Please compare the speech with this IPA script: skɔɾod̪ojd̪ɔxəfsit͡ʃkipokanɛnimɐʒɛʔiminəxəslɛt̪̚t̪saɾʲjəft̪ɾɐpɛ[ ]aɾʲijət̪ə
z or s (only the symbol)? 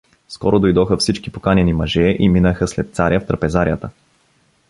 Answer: z